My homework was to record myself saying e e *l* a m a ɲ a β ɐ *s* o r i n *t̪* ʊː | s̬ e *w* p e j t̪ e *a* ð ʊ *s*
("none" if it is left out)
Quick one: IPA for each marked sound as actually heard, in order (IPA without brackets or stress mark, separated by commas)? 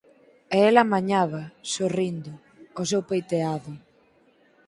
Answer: l, s, d̪, w, a, none